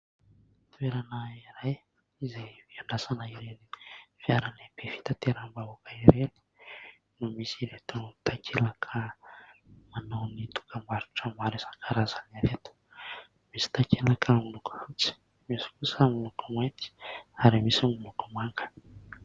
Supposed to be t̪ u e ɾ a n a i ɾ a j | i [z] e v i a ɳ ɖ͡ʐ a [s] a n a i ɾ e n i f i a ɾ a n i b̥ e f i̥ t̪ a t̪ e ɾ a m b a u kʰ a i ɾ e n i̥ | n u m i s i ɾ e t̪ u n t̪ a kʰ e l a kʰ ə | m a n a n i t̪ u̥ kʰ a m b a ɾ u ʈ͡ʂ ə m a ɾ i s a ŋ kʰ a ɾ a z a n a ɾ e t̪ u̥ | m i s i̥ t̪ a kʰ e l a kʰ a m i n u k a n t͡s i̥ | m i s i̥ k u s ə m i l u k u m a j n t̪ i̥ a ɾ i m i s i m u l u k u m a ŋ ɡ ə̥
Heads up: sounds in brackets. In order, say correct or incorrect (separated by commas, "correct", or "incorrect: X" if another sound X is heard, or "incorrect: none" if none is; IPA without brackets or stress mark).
correct, correct